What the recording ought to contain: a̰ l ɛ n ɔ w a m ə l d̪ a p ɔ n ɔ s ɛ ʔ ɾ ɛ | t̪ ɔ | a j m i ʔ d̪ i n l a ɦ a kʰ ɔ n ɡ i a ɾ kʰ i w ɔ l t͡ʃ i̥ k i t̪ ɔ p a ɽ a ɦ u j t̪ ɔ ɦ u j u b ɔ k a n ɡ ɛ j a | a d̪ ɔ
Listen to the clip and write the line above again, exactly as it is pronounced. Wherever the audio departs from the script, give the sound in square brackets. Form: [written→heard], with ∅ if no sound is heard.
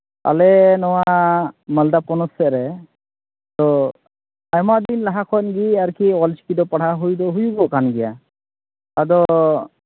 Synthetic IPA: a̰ l ɛ n ɔ w a m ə l d̪ a p ɔ n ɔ s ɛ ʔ ɾ ɛ | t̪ ɔ | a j m [i→a] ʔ d̪ i n l a ɦ a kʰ ɔ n ɡ i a ɾ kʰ i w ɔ l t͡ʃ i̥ k i [t̪→d̪] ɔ p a ɽ a ɦ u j [t̪→d̪] ɔ ɦ u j u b ɔ k a n ɡ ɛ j a | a d̪ ɔ